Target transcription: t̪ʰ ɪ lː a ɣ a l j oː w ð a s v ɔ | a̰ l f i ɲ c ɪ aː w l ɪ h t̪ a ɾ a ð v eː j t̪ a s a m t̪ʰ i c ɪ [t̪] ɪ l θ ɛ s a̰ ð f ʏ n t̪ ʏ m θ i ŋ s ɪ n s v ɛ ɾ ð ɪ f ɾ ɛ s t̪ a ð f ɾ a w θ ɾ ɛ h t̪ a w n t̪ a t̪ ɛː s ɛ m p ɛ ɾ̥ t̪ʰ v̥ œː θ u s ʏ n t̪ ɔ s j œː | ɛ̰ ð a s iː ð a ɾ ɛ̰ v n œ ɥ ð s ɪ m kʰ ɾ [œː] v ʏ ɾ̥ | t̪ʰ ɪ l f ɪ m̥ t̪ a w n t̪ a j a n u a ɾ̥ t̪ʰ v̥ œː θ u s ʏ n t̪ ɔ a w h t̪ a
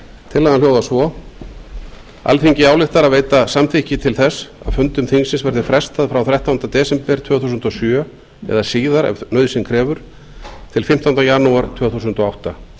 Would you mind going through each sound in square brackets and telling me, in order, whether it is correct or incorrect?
incorrect, incorrect

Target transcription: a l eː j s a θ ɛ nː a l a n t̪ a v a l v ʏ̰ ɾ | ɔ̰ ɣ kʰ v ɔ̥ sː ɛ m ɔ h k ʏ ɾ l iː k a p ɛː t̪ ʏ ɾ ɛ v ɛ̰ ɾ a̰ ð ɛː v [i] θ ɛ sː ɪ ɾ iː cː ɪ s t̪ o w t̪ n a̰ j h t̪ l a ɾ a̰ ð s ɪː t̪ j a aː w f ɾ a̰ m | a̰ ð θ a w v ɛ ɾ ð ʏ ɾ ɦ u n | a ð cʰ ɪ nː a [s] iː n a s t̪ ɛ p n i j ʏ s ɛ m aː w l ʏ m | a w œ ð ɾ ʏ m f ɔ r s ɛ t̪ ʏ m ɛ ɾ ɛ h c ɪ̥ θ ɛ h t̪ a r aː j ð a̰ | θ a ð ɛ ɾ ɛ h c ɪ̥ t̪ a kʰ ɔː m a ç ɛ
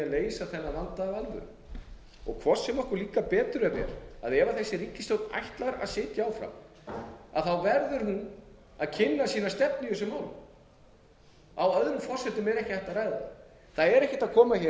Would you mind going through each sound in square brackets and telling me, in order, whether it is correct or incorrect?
incorrect, correct

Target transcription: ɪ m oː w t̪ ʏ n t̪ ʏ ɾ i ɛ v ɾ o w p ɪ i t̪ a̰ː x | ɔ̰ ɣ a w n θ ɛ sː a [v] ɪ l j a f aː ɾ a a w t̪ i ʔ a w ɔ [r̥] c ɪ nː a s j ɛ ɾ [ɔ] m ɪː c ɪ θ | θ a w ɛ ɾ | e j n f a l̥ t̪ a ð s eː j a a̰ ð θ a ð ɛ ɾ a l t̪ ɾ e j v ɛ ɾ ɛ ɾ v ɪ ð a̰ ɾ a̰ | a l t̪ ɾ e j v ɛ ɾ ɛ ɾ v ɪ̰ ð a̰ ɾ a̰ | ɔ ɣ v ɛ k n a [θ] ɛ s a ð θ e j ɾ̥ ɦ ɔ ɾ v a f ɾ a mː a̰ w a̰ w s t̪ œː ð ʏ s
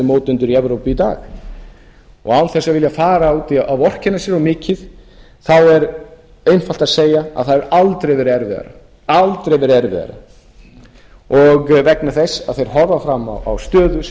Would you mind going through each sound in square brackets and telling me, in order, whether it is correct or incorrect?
correct, correct, correct, correct

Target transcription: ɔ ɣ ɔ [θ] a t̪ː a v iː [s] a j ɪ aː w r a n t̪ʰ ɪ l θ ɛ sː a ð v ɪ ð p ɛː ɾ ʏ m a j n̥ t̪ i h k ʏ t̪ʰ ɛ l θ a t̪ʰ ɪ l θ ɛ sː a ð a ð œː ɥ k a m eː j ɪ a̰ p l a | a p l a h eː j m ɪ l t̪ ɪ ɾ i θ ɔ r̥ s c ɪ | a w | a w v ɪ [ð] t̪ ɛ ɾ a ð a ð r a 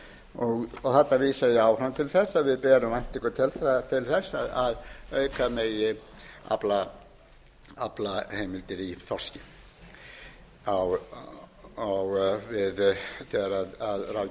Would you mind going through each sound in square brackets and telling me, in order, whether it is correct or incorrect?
correct, correct, correct

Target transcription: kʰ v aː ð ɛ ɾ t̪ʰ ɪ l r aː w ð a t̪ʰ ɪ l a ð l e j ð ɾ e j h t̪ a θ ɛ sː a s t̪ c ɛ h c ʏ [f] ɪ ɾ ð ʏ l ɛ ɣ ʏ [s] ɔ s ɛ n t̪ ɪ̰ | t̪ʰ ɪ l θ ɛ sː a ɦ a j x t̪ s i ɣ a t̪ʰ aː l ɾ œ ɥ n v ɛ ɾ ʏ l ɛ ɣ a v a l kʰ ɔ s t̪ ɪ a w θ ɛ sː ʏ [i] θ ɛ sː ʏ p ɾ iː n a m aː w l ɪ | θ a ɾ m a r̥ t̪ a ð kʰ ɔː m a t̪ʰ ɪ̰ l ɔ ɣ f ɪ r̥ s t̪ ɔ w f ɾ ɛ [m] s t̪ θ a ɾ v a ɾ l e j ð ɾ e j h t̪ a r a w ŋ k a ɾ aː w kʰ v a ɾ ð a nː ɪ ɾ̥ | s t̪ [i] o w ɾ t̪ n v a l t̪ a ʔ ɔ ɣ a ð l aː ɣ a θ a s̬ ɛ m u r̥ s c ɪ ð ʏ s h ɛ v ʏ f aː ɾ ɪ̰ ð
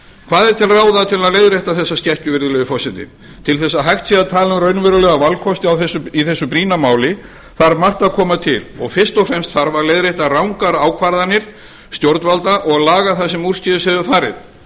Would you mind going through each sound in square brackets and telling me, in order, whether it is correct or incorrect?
incorrect, incorrect, correct, correct, incorrect

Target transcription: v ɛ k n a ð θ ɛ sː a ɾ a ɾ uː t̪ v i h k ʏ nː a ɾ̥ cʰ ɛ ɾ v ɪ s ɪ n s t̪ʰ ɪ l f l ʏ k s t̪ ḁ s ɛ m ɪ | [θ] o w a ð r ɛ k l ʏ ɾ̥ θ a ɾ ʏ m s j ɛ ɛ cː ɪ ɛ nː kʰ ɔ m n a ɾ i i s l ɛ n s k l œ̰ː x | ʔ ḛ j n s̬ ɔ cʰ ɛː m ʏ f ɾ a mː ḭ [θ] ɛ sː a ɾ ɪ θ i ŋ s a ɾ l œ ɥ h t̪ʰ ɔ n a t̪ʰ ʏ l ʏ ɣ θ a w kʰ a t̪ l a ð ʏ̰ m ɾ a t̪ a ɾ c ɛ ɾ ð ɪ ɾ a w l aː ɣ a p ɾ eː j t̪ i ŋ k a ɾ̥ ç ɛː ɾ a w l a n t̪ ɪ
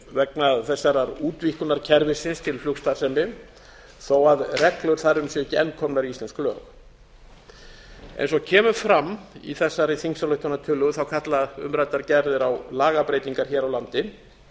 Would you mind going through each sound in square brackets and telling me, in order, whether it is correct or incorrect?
correct, correct

